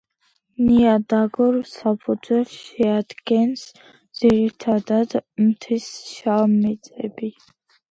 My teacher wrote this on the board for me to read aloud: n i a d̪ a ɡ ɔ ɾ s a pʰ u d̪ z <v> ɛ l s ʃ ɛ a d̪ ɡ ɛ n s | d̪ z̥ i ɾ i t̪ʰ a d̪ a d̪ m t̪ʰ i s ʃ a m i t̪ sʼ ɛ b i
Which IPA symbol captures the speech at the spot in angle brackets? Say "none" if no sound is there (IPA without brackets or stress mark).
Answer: w